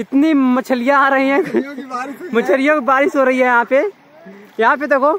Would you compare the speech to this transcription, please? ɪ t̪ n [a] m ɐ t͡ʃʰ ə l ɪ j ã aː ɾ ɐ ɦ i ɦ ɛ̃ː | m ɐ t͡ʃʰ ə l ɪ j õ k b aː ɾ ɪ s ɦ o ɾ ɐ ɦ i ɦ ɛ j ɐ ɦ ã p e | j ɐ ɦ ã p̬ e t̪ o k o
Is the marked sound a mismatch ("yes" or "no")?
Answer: yes